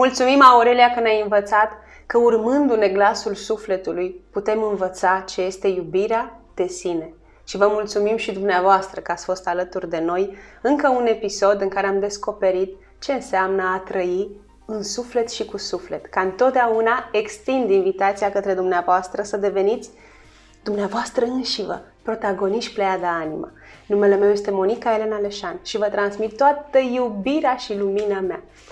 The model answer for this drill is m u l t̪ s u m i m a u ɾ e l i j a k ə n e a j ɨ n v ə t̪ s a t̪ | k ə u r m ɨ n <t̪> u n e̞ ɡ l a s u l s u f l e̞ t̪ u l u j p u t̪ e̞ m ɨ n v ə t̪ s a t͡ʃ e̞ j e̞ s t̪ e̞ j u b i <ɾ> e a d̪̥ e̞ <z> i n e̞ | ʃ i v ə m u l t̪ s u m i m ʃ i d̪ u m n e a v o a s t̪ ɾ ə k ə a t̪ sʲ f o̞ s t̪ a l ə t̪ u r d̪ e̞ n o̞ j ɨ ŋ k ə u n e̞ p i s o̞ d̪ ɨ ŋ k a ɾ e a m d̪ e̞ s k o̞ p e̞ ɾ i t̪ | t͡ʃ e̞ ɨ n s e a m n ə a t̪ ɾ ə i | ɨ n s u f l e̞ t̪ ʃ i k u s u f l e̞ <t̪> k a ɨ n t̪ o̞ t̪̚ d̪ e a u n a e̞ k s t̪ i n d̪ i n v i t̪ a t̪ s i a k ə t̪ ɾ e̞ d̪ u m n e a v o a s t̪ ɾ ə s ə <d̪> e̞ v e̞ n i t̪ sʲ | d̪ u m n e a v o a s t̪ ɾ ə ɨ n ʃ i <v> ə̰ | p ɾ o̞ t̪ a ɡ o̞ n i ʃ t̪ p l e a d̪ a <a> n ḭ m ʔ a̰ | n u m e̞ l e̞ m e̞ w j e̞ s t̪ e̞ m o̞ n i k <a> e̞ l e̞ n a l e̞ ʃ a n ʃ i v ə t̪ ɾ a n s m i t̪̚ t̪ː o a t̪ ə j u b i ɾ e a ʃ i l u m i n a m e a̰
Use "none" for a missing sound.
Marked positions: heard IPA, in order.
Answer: d̪, ɾ, s, t̪, d̪, v, a, a

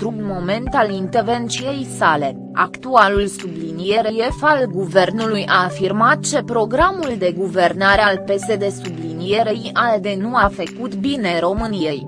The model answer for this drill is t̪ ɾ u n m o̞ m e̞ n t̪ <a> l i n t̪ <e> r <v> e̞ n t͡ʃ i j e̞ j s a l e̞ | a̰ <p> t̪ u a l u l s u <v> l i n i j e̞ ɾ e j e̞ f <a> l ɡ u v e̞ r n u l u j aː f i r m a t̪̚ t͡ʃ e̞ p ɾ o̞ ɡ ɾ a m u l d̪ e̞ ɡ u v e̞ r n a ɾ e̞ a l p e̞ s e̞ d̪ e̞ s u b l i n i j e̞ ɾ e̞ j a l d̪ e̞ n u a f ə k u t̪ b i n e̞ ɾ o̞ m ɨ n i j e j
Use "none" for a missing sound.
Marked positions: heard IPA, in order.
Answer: a, e, v, k, b, a

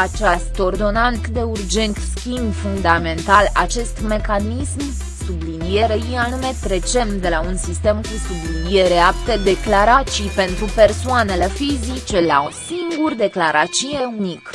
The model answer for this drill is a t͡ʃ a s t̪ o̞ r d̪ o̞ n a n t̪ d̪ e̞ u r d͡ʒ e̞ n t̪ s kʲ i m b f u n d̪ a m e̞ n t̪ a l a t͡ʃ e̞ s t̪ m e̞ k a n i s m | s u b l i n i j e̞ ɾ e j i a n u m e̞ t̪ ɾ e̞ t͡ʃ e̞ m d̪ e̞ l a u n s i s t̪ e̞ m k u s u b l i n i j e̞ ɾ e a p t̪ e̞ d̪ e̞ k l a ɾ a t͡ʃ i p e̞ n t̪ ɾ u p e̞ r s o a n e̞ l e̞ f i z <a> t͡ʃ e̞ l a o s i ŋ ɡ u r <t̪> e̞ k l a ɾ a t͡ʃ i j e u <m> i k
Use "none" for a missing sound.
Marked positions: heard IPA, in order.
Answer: i, d̪, n

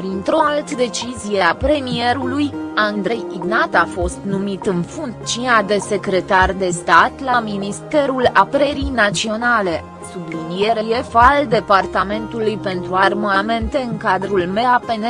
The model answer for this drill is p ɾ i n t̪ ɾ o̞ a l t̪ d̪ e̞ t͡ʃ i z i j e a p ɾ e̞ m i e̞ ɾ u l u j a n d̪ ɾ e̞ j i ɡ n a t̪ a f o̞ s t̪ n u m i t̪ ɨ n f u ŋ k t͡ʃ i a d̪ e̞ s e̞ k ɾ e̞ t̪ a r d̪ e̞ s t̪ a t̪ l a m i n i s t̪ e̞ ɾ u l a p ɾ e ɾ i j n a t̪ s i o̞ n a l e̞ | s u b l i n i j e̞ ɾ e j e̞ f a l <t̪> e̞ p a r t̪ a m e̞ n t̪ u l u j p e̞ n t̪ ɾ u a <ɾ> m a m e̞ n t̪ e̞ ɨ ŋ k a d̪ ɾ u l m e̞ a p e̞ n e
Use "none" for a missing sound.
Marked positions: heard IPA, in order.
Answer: d̪, r

